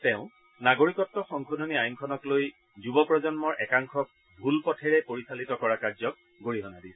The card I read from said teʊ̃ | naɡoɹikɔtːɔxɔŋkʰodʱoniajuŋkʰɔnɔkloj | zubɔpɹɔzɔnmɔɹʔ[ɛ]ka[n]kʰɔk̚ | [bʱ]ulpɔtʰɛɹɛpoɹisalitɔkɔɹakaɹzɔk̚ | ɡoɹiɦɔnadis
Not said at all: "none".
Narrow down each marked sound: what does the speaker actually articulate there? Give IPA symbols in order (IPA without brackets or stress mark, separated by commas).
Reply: ɛ, ŋ, bʱ